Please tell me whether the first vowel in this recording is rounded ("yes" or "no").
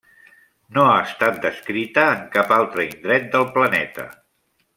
yes